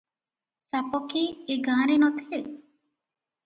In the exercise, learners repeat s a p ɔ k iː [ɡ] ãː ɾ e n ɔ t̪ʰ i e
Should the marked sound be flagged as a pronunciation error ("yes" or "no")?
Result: no